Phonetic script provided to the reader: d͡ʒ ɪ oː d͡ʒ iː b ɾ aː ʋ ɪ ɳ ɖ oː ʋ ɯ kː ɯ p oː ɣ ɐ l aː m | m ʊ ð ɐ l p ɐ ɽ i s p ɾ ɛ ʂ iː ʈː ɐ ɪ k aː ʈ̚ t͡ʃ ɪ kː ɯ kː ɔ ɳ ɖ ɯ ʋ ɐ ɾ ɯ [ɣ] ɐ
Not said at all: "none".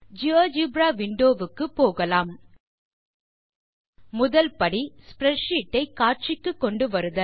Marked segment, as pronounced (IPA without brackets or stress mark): ð